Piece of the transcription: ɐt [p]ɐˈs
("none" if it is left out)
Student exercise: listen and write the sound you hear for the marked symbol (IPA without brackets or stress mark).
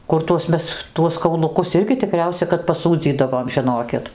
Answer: p